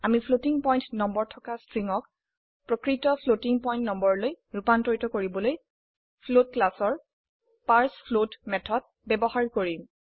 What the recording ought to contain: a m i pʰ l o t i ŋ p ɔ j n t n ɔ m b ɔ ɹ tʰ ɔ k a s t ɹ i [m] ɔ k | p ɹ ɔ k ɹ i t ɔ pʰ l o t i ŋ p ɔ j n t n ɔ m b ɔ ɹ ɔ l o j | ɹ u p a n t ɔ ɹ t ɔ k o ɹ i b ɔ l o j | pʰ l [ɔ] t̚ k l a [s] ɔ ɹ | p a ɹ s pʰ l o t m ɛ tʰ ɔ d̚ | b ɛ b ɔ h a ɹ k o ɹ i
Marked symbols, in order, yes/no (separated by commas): no, no, yes